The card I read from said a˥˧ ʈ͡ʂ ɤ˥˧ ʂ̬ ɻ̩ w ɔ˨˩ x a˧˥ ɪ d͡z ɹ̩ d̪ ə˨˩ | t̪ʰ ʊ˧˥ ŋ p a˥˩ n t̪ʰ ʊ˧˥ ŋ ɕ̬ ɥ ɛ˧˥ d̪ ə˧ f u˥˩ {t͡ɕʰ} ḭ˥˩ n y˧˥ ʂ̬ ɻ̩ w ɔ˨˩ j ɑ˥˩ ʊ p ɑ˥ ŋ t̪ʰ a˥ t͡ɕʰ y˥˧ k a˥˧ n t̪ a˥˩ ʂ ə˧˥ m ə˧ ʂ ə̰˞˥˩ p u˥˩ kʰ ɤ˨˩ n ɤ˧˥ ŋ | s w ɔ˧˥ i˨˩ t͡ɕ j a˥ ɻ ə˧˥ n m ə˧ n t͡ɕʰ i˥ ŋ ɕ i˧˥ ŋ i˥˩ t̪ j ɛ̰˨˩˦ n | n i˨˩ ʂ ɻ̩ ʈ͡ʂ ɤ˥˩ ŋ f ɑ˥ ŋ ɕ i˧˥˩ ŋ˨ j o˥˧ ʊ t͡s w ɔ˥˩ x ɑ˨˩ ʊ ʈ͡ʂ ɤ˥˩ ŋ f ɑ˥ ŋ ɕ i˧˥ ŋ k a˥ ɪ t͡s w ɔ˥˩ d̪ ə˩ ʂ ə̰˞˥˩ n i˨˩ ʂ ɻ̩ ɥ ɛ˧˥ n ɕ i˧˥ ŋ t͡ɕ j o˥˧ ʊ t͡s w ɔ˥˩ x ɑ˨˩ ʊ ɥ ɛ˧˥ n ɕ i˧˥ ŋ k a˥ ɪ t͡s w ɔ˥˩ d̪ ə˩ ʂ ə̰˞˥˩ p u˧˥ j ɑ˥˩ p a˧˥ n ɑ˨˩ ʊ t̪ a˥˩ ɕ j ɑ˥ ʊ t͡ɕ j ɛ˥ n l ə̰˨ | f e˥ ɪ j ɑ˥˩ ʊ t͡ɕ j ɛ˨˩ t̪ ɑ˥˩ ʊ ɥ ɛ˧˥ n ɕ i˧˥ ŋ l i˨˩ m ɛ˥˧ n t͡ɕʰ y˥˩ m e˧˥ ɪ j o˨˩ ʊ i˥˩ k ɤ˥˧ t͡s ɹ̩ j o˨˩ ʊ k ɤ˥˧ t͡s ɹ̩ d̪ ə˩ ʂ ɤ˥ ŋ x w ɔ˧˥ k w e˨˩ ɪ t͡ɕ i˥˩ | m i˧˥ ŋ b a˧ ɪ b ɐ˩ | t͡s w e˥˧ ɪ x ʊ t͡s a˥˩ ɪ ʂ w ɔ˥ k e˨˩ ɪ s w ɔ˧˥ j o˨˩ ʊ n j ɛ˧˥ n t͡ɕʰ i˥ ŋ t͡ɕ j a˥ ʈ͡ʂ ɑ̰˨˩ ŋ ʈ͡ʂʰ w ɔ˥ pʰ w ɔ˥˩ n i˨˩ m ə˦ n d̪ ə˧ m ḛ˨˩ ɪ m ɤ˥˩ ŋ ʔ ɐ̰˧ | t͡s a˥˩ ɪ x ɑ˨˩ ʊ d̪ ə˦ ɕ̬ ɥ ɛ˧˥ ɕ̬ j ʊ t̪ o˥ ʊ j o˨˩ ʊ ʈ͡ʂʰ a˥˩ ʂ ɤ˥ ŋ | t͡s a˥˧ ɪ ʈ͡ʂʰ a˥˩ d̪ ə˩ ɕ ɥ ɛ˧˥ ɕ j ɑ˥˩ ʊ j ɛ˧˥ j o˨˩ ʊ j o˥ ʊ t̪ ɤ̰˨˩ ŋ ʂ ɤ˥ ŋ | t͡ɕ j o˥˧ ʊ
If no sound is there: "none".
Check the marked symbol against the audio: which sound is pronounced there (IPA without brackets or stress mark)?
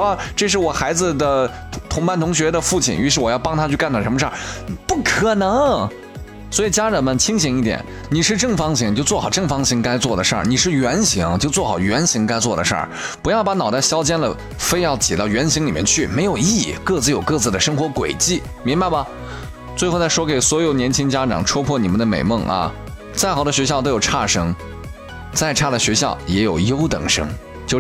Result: t͡ɕʰ